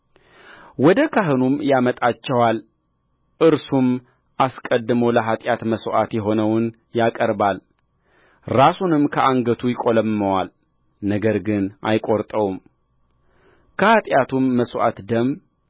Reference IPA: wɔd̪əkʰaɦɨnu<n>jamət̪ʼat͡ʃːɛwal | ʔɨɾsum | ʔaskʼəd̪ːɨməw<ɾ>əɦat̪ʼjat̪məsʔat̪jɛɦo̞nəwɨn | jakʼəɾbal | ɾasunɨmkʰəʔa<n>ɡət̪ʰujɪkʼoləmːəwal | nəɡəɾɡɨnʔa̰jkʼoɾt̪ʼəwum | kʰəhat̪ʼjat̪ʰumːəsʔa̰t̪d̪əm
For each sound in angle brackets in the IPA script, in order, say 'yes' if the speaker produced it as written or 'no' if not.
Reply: no, no, no

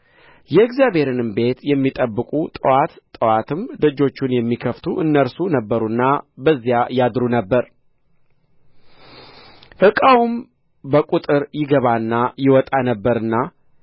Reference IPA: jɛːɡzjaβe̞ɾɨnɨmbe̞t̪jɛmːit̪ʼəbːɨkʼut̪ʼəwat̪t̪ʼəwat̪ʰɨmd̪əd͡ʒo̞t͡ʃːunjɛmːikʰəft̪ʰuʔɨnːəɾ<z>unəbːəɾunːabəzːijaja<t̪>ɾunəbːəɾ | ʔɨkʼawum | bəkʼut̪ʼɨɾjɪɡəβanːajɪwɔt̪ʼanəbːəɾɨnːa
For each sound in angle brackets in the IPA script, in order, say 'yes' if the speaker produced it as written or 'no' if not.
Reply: no, no

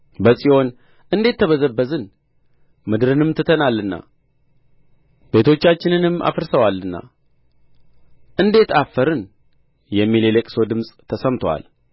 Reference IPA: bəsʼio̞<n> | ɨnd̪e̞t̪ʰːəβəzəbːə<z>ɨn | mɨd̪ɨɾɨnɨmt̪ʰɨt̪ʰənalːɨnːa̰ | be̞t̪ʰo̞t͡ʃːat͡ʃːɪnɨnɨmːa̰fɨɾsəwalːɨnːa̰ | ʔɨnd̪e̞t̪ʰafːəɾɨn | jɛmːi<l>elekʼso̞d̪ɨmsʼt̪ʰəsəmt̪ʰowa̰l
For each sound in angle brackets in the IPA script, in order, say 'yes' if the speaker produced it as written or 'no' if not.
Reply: yes, yes, yes

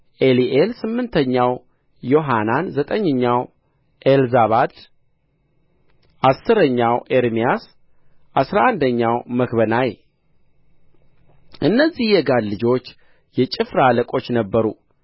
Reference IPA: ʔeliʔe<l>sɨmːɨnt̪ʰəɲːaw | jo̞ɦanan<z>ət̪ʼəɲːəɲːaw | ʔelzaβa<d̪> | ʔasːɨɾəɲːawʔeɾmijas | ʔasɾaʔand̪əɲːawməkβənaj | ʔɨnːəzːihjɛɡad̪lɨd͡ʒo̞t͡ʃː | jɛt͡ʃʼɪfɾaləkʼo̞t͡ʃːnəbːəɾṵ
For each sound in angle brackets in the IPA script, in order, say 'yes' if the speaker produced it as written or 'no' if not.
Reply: yes, yes, yes

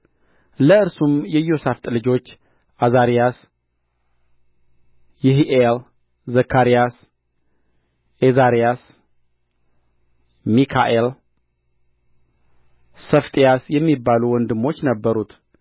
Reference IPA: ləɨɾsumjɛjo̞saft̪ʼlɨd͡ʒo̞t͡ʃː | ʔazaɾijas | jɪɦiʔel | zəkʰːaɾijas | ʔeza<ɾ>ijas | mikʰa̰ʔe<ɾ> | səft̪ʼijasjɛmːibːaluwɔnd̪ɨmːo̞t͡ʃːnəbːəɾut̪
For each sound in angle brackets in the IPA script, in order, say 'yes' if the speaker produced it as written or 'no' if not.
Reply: yes, no

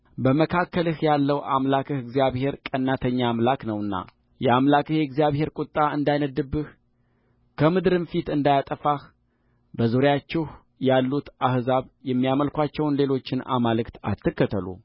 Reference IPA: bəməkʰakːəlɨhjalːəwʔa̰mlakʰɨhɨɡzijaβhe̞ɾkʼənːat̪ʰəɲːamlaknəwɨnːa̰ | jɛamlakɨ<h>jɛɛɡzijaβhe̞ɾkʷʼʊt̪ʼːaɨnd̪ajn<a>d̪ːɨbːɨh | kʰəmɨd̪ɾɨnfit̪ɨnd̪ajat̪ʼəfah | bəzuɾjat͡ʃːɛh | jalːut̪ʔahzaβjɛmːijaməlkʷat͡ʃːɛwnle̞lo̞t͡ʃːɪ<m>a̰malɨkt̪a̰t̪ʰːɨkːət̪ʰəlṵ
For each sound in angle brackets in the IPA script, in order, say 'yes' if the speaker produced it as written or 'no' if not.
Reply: yes, no, no

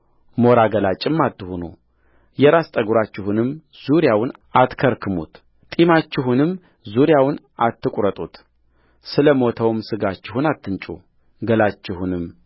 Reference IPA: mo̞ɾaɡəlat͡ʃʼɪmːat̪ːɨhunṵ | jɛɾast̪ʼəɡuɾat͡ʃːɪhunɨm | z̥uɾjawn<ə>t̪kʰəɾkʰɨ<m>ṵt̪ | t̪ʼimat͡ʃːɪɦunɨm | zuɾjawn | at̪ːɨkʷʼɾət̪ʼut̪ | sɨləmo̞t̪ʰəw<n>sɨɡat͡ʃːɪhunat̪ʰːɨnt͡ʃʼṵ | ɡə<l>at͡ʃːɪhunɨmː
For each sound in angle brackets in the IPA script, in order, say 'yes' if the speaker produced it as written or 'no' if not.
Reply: no, yes, no, yes

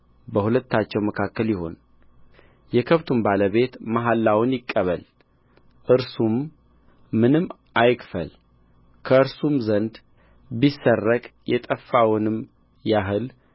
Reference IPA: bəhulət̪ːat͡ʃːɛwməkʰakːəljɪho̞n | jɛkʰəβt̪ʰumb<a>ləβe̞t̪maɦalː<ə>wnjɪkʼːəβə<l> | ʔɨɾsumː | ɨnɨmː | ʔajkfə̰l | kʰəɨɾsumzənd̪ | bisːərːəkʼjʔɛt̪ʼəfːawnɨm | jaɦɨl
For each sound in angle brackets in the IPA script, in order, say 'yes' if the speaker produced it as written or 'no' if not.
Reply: yes, no, yes

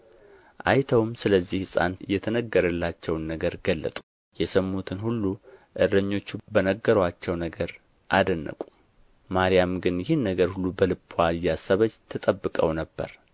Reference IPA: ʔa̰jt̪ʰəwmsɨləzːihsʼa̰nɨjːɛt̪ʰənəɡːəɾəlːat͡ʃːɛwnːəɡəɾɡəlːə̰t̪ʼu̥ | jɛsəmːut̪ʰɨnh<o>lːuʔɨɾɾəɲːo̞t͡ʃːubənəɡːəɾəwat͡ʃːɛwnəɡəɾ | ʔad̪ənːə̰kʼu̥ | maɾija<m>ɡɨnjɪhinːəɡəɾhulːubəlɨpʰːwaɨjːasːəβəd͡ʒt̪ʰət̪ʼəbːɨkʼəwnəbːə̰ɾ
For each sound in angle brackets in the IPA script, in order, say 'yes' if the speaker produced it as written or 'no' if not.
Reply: no, yes

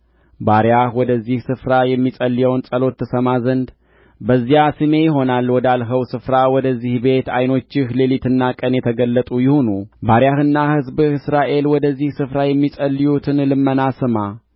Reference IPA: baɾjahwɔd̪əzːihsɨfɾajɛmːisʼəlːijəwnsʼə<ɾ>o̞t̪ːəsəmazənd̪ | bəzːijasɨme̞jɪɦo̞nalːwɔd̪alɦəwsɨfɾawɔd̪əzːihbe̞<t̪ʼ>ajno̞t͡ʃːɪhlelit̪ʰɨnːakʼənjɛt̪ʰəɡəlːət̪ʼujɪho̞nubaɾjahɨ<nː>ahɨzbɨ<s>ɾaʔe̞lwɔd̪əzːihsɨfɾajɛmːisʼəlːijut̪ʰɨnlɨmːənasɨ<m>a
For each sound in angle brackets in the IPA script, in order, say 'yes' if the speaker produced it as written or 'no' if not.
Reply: no, no, yes, yes, yes

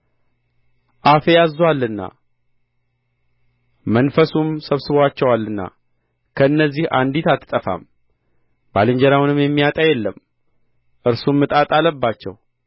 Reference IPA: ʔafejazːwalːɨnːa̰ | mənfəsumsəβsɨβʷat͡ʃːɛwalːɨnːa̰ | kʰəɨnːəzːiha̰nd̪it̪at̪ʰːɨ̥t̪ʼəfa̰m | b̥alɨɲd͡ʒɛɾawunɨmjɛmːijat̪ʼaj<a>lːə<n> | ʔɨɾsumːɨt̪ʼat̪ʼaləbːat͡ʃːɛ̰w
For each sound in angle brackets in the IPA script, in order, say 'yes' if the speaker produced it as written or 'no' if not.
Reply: no, no

